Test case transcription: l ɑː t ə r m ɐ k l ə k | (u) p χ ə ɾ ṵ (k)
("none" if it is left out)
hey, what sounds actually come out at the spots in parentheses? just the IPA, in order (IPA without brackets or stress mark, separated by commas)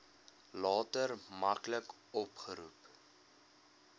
ɔ, p